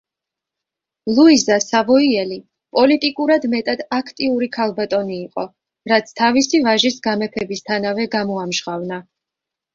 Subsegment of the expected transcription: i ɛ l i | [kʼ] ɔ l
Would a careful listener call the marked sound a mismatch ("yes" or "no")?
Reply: yes